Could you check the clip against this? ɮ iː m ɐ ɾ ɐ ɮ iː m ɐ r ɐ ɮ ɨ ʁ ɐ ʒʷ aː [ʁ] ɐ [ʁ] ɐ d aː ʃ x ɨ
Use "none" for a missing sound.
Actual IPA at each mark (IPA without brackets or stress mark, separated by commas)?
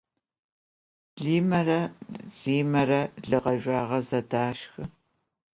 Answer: ʁ, z